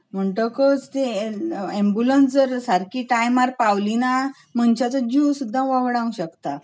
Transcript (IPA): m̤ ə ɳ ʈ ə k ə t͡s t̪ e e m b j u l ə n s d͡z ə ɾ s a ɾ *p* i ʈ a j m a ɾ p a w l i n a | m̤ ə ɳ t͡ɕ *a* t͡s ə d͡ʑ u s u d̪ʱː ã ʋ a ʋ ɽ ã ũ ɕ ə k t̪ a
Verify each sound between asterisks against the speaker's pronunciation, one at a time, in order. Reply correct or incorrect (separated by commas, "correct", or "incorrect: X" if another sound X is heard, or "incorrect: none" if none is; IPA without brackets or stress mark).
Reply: incorrect: k, correct